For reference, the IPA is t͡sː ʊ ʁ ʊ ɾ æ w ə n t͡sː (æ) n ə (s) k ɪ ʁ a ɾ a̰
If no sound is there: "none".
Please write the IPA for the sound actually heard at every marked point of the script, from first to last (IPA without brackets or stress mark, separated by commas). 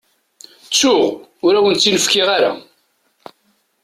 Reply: i, f